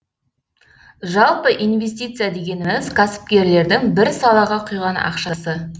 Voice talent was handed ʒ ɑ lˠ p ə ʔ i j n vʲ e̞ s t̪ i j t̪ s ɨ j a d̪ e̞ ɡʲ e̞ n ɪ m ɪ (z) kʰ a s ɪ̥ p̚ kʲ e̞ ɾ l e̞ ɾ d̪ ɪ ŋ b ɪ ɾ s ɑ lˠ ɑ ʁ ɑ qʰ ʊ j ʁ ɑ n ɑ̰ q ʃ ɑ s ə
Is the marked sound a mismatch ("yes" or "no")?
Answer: no